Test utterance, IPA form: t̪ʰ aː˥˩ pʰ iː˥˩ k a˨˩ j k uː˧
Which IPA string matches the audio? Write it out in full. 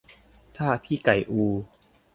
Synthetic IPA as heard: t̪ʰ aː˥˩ pʰ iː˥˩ k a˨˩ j ʔ uː˧